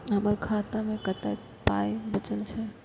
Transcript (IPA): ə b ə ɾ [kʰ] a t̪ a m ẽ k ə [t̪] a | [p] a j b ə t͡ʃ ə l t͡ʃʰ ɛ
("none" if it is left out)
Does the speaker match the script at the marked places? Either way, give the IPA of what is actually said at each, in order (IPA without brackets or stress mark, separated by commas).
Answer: kʰ, t̪, p